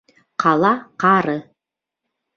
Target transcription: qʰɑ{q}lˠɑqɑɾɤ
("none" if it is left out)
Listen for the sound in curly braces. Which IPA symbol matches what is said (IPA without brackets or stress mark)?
none